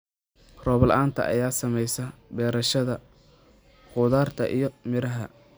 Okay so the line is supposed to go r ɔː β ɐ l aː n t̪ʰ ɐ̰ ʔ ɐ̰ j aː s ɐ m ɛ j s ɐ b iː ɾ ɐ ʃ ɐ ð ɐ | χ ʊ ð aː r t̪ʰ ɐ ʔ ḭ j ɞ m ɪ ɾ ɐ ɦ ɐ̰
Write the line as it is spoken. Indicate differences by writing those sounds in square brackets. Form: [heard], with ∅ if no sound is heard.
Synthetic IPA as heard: r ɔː β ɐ l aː n t̪ʰ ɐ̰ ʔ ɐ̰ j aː s ɐ m ɛ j s ɐ b [ɛː] ɾ ɐ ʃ ɐ ð ɐ | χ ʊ ð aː r t̪ʰ ɐ ʔ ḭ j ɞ m ɪ ɾ ɐ ɦ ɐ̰